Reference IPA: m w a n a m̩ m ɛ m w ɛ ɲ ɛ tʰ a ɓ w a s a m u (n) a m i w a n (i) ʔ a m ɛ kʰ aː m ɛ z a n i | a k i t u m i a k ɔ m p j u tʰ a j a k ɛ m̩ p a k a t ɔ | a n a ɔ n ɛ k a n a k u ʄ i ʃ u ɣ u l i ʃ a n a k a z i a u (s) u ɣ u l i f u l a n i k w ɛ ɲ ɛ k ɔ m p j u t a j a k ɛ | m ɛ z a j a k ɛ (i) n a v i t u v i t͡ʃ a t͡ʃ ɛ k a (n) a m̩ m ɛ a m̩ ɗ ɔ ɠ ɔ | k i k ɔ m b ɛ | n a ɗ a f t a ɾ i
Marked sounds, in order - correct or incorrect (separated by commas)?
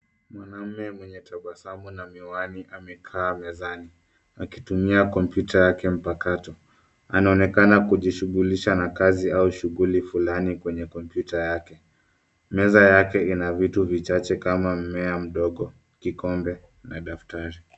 correct, correct, incorrect, correct, incorrect